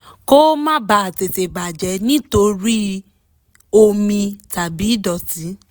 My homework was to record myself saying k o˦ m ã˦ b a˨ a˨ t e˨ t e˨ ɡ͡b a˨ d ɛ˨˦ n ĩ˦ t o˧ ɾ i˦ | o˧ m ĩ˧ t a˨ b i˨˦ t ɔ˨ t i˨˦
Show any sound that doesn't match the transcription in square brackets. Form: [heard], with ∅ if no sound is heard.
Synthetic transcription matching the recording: k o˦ m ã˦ b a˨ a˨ t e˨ t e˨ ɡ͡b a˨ [d͡ʒ] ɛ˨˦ n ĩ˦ t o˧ ɾ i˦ | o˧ m ĩ˧ t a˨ b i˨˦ [d] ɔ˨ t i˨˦